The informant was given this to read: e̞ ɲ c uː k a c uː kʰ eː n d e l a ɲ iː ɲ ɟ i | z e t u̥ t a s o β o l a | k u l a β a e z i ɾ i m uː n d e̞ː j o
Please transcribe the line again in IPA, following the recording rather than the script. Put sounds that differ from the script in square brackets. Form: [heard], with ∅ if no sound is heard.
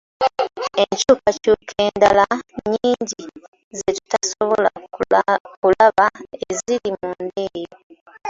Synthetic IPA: e̞ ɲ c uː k a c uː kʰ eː n d [a] l a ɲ iː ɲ ɟ i | z e t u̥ t a s o β o l a | k u l a β a e z i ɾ i m uː n d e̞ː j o